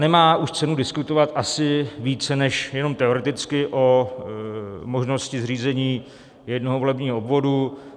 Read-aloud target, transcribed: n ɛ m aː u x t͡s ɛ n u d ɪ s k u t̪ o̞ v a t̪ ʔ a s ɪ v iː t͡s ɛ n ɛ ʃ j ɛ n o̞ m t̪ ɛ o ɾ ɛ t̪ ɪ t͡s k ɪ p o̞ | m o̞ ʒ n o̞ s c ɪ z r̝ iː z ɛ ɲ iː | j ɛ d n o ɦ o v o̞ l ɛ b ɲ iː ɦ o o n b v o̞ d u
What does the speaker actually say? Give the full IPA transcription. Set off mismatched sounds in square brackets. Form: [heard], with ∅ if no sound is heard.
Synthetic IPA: n ɛ m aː u [ʃ] t͡s ɛ n u d ɪ s k u t̪ o̞ v a t̪ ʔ a s ɪ v iː t͡s ɛ n ɛ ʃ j ɛ n o̞ m t̪ ɛ o ɾ ɛ t̪ ɪ t͡s k ɪ [ʔ] o̞ | m o̞ ʒ n o̞ s c ɪ z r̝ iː z ɛ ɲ iː | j ɛ d n o ɦ o v o̞ l ɛ b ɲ iː ɦ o o [∅] b v o̞ d u